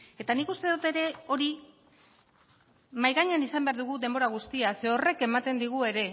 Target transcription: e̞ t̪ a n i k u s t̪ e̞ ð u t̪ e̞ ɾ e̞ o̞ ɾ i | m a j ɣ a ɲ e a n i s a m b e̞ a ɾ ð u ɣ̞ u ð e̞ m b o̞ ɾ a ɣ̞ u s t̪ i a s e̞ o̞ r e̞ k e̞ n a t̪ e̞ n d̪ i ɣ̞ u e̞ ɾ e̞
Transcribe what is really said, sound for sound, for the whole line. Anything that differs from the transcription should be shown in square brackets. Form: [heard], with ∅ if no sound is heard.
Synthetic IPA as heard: e̞ t̪ a n i k u s t̪ e̞ ð u t̪ e̞ ɾ e̞ o̞ ɾ i | m a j ɣ a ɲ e a n i s a m b e̞ a ɾ ð u ɣ̞ u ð e̞ m b o̞ ɾ a ɣ̞ u s t̪ i a s e̞ o̞ r e̞ k e̞ [m] a t̪ e̞ n d̪ i ɣ̞ u e̞ ɾ e̞